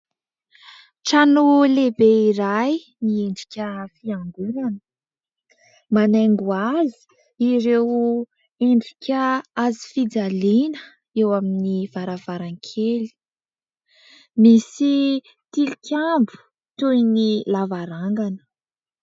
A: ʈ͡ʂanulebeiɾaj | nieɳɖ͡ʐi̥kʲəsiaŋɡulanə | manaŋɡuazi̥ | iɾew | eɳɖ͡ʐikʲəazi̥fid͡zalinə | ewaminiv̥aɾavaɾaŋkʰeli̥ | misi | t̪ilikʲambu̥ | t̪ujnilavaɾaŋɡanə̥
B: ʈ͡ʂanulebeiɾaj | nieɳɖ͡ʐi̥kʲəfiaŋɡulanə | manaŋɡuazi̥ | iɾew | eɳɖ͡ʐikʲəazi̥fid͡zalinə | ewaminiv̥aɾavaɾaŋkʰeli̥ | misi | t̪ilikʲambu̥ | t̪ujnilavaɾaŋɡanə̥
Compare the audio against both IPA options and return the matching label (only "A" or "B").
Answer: B